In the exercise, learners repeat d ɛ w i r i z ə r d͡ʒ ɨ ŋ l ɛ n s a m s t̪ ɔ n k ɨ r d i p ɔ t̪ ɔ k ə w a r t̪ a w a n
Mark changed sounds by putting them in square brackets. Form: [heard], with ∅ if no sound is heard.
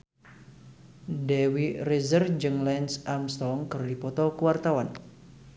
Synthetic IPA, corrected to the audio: d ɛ w i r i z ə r d͡ʒ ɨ ŋ l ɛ n s a m s t̪ ɔ [ŋ] k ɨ r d i p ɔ t̪ ɔ k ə w a r t̪ a w a n

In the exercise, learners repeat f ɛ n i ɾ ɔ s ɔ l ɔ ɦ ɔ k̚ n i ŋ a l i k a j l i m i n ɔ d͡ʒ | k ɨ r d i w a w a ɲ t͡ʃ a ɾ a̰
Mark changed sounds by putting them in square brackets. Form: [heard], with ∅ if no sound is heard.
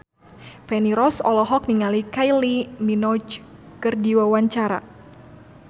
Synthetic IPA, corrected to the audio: f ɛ n i ɾ ɔ s ɔ l ɔ ɦ ɔ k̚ n i ŋ a l i k a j l i m i n ɔ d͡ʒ | k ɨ r d i w a w a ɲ t͡ʃ a ɾ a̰

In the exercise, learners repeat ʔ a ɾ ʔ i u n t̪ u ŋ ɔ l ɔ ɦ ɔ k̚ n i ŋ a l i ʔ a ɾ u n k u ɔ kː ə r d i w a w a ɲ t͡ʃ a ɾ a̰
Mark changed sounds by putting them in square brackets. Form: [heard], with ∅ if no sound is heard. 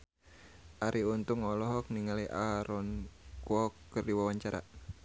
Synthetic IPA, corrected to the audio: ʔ a ɾ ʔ i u n t̪ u ŋ ɔ l ɔ ɦ ɔ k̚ n i ŋ a l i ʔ a ɾ [ɔ] n k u ɔ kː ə r d i w a w a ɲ t͡ʃ a ɾ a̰

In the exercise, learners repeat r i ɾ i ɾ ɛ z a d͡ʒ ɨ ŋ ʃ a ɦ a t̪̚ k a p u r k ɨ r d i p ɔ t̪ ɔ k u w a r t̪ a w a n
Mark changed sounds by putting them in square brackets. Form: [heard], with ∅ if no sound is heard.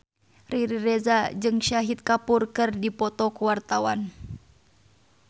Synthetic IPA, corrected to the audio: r i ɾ i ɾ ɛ z a d͡ʒ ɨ ŋ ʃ a ɦ [i] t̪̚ k a p u r k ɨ r d i p ɔ t̪ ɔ k u w a r t̪ a w a n

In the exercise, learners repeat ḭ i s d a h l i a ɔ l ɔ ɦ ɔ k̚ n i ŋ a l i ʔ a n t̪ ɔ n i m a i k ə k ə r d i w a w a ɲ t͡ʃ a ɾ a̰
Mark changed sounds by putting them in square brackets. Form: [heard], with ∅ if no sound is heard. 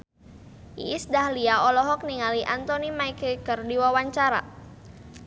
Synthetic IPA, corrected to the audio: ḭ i s d a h l i a ɔ l ɔ ɦ ɔ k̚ n i ŋ a l i ʔ a n t̪ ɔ n i m a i k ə k ə r d i w a w a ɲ t͡ʃ a ɾ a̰

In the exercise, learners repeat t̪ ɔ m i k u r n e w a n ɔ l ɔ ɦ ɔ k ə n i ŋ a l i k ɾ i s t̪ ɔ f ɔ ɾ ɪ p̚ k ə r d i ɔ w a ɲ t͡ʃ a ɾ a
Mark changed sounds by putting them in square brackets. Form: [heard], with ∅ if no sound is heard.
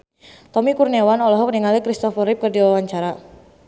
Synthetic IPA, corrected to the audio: t̪ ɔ m i k u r n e w a n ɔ l ɔ ɦ ɔ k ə n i ŋ a l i k ɾ i s t̪ ɔ f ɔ ɾ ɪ p̚ k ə r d i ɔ w a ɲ t͡ʃ a ɾ a

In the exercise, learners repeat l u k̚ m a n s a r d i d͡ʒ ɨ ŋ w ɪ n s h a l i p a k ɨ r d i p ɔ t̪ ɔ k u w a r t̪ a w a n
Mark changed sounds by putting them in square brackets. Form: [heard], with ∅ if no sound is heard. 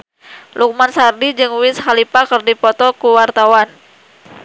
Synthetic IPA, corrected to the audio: l u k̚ m a n s a r d i d͡ʒ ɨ ŋ w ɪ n s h a l i p a k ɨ r d i p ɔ t̪ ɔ k u w a r t̪ a w a n

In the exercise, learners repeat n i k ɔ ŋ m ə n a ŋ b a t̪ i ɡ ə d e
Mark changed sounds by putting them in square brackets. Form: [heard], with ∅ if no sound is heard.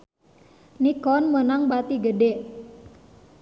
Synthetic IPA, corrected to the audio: n i k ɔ [n] m ə n a ŋ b a t̪ i ɡ ə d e

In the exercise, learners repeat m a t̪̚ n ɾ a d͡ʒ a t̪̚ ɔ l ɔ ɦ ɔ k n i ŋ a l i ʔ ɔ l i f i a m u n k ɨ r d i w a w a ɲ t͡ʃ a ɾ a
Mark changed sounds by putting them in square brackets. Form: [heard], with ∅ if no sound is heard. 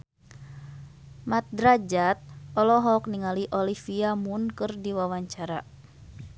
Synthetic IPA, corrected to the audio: m a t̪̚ [d] ɾ a d͡ʒ a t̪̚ ɔ l ɔ ɦ ɔ k n i ŋ a l i ʔ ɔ l i f i a m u n k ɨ r d i w a w a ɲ t͡ʃ a ɾ a

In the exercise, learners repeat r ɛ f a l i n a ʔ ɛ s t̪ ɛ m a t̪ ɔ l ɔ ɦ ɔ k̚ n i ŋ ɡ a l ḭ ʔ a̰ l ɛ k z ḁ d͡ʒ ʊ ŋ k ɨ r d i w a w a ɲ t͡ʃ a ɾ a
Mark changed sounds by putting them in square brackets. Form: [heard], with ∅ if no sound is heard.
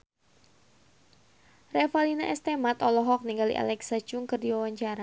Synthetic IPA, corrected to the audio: r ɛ f a l i n a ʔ ɛ s t̪ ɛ m a t̪ ɔ l ɔ ɦ ɔ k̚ n i ŋ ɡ a l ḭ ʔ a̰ l ɛ k [s] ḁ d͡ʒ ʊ ŋ k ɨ r d i w a w a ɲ t͡ʃ a ɾ a

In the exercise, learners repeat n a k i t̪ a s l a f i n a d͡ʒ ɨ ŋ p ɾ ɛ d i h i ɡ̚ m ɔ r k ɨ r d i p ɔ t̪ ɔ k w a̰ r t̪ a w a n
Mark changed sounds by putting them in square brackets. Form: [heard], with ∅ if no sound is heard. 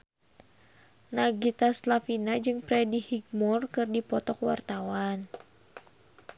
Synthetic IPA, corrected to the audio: n a [ɡ] i t̪ a s l a f i n a d͡ʒ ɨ ŋ p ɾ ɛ d i h i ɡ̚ m ɔ r k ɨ r d i p ɔ t̪ ɔ k w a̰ r t̪ a w a n

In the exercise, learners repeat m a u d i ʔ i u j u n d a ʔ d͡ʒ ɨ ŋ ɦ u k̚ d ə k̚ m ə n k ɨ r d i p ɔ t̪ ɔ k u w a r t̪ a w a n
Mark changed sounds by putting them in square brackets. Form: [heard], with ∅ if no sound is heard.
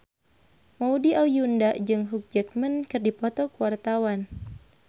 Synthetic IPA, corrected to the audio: m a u d i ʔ [a] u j u n d a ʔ d͡ʒ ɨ ŋ ɦ u k̚ [d͡ʒ] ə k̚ m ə n k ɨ r d i p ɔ t̪ ɔ k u w a r t̪ a w a n

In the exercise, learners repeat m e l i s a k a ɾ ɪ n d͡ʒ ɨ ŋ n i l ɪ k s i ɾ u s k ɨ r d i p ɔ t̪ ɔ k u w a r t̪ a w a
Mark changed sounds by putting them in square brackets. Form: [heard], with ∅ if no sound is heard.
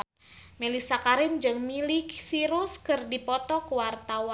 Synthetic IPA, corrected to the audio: m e l i s a k a ɾ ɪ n d͡ʒ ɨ ŋ [m] i l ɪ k s i ɾ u s k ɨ r d i p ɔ t̪ ɔ k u w a r t̪ a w a

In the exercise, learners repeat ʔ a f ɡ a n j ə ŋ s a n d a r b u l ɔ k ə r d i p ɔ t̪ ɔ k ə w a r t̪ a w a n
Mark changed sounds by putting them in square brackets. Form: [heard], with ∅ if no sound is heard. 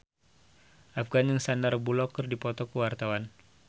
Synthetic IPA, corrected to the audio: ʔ a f ɡ a n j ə ŋ s a n d a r b u l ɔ k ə r d i p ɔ t̪ ɔ k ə w a r t̪ a w a n

